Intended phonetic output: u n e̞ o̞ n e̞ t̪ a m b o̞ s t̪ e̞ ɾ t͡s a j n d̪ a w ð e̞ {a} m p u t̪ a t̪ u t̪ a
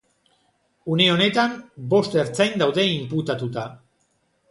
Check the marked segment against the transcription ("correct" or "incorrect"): incorrect